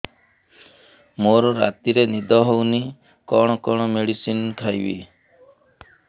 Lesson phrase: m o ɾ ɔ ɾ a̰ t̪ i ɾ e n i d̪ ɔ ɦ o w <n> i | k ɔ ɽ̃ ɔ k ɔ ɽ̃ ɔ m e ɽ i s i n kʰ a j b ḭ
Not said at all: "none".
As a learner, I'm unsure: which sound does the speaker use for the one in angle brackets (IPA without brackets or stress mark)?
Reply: n